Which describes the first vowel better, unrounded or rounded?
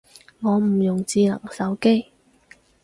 rounded